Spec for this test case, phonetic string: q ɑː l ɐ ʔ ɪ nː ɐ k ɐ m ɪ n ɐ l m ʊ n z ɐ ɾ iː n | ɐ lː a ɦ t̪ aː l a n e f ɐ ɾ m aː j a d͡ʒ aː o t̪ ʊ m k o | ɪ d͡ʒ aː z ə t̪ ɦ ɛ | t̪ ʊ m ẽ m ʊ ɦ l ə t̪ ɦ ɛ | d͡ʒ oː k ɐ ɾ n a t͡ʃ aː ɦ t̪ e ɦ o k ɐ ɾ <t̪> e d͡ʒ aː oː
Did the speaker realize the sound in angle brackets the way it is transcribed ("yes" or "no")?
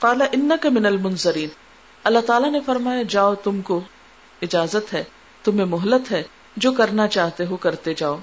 yes